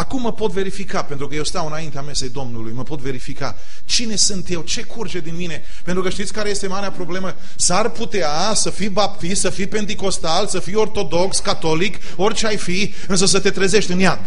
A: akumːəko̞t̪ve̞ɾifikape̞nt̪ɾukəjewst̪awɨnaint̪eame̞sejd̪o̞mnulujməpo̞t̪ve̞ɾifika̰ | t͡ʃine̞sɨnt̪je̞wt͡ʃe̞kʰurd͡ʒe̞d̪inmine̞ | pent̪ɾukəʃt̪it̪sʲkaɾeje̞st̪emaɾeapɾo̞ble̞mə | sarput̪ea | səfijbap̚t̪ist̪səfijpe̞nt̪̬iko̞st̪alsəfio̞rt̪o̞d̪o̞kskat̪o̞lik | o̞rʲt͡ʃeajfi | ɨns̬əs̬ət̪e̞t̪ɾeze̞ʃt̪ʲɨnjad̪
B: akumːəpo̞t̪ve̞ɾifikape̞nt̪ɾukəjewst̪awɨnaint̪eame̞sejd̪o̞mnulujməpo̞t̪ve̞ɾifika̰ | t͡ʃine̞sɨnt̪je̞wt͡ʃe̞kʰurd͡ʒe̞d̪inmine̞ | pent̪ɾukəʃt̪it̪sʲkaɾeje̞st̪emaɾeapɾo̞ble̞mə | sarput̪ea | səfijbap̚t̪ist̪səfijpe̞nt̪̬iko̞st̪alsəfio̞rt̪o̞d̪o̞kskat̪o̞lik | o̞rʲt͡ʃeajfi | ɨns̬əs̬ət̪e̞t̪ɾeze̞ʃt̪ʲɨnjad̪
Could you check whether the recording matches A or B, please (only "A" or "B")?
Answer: B